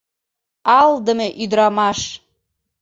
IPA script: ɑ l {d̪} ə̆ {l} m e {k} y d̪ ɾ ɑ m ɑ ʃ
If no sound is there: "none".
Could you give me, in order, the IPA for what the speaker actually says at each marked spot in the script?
d̪, none, ʔ

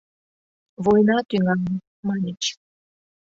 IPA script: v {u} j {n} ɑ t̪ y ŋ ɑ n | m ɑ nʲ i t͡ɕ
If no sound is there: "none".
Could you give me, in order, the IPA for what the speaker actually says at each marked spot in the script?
o, n

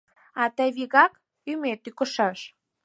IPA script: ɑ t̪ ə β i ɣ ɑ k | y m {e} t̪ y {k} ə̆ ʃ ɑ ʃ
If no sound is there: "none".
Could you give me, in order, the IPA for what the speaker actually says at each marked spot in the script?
e, k

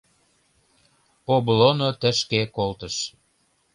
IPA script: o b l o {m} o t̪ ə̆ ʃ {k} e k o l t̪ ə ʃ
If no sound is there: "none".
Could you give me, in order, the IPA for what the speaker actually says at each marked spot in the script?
n, k

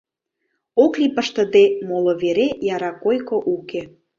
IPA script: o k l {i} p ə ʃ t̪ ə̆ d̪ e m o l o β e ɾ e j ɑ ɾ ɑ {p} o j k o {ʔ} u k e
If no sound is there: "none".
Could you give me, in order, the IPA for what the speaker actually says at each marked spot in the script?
i, k, ʔ

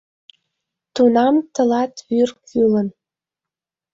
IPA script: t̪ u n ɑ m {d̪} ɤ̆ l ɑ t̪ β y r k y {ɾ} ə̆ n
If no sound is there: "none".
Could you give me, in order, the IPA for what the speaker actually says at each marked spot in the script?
t̪, l

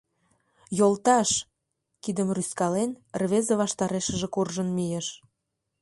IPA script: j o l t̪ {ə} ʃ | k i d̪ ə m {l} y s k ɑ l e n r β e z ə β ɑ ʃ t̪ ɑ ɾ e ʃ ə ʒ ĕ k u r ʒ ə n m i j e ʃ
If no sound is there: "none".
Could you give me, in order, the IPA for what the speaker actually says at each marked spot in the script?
ɑ, r

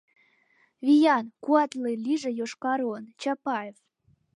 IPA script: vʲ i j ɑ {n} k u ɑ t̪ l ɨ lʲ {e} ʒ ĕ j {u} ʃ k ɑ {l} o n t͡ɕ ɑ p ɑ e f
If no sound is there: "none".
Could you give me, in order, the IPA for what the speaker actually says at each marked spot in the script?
n, i, o, ɾ

